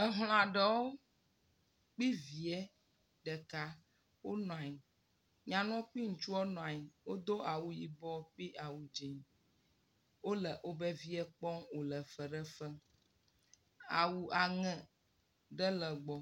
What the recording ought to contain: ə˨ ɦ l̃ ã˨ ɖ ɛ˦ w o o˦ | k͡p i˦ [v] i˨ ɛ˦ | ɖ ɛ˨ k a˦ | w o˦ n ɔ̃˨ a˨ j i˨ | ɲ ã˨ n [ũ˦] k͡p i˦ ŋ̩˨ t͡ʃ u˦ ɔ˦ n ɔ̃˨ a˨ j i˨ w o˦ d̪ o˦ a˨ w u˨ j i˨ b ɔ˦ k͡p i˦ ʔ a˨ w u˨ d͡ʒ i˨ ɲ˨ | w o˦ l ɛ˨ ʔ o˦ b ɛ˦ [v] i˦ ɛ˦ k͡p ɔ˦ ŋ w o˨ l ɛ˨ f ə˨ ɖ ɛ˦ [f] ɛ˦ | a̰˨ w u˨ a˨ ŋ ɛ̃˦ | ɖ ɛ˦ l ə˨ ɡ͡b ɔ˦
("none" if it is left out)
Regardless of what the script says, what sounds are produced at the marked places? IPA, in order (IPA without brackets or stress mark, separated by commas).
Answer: v, ɔ̃˦, v, f